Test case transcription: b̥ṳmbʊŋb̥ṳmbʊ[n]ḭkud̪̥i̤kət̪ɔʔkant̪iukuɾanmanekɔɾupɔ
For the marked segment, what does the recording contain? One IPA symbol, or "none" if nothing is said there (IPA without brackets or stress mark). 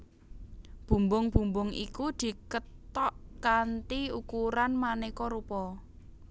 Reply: ŋ